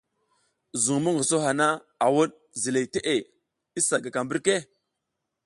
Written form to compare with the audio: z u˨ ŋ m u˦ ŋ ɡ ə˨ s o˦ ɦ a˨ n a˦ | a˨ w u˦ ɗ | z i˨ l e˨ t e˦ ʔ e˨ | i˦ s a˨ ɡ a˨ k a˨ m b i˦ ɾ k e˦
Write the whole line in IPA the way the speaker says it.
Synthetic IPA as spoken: z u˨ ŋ m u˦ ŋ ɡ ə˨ s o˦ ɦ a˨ n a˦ | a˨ w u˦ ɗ | z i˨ l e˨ t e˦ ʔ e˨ | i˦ s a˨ ɡ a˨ k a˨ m b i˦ ɾ k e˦